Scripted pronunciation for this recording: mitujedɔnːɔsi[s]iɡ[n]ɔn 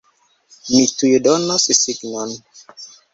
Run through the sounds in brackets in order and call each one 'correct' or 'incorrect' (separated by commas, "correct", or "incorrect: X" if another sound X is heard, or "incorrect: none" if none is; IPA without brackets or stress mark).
correct, correct